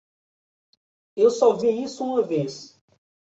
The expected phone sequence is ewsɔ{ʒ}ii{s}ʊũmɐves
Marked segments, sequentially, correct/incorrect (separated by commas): incorrect, correct